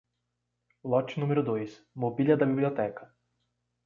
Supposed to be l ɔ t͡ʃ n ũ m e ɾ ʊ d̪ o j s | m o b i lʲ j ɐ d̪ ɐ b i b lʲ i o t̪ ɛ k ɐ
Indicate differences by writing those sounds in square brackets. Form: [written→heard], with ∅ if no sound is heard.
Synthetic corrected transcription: l ɔ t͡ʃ n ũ m e ɾ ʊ d̪ o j s | m o b i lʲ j ɐ d̪ ɐ b i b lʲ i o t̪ ɛ k ɐ

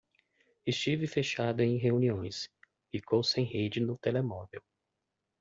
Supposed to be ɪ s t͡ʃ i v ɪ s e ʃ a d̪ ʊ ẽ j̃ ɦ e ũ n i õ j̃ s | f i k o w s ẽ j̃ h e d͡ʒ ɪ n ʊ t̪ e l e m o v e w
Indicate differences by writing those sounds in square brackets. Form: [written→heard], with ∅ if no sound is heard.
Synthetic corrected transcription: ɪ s t͡ʃ i v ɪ [s→f] e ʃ a d̪ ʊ ẽ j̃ ɦ e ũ n i õ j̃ s | f i k o w s ẽ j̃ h e d͡ʒ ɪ n ʊ t̪ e l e m [o→ɔ] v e w

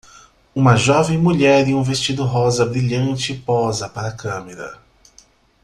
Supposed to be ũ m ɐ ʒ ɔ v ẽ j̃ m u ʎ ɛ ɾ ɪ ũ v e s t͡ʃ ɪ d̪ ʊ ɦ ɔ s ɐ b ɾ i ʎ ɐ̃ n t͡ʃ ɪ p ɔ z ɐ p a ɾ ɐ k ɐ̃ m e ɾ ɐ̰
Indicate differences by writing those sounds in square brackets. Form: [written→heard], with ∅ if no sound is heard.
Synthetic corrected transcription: ũ m ɐ ʒ ɔ v ẽ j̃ m u ʎ ɛ ɾ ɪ ũ v e s t͡ʃ [ɪ→i] d̪ ʊ ɦ ɔ [s→z] ɐ b ɾ i ʎ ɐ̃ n t͡ʃ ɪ p ɔ z ɐ p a ɾ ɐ k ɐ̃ m e ɾ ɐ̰

